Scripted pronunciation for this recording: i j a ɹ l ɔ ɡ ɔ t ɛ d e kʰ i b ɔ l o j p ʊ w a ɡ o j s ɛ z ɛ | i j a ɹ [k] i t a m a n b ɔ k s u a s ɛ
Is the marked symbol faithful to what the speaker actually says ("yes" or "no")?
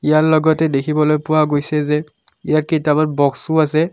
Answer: yes